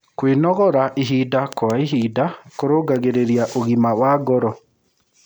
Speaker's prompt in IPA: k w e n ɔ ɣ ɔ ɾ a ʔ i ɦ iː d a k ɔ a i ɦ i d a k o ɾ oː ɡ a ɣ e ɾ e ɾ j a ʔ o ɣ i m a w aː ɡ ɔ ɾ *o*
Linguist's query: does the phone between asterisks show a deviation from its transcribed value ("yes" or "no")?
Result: yes